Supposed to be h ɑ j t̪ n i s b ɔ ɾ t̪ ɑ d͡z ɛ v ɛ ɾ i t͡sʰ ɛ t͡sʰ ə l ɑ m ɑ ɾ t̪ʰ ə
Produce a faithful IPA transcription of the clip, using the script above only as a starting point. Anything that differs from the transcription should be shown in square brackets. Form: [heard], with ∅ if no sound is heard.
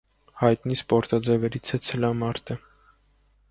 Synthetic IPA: h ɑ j t̪ n i s [p] ɔ ɾ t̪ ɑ d͡z ɛ v ɛ ɾ i t͡sʰ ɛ t͡sʰ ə l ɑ m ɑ ɾ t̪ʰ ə